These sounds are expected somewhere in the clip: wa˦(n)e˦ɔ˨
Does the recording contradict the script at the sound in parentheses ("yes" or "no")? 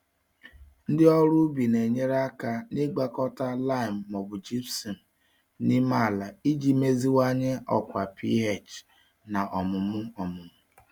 yes